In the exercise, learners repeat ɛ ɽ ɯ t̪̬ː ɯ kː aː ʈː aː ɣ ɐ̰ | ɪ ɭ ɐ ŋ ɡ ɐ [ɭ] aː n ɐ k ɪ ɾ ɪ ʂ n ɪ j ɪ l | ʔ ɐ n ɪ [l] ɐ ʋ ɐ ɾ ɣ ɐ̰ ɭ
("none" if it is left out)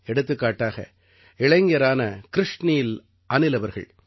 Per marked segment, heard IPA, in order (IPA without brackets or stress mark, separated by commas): ɾ, l